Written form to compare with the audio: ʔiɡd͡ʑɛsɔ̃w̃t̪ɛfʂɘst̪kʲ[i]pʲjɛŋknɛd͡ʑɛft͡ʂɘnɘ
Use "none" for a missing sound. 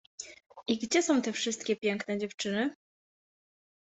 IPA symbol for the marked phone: ɛ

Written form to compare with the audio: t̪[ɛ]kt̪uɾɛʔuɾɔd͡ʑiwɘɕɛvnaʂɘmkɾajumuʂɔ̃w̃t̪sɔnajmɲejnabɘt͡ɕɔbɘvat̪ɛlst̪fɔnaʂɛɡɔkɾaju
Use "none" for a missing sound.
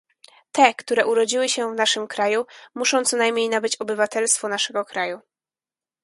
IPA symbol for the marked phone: ɛ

